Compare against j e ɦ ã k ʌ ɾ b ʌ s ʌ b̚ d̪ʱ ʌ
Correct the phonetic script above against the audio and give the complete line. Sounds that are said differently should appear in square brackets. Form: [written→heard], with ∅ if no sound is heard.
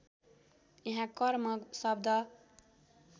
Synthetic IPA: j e ɦ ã k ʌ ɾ [b→m] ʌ s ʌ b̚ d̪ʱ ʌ